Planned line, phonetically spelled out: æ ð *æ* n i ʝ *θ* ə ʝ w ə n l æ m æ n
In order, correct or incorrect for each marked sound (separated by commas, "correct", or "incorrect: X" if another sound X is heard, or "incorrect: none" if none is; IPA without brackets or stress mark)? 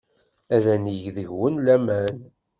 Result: correct, incorrect: ð